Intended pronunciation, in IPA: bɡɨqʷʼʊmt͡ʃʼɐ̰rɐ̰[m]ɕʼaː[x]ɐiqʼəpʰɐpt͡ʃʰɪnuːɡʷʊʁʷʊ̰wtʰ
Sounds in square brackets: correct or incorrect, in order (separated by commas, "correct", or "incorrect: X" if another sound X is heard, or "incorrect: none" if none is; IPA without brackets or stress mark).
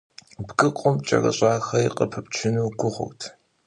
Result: incorrect: none, correct